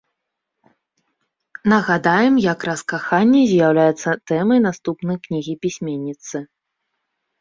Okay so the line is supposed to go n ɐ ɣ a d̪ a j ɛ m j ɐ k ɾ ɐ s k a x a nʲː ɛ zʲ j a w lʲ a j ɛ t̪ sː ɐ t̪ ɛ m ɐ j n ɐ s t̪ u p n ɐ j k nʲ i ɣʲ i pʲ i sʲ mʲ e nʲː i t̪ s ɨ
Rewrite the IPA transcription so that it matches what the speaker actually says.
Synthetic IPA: n ɐ ɣ a d̪ a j ɛ m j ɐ k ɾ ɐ s k a x a nʲː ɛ zʲ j a w lʲ a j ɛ t̪ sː ɐ t̪ ɛ m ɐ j n a s t̪ u p n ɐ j k nʲ i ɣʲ i pʲ i sʲ mʲ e nʲː i t̪ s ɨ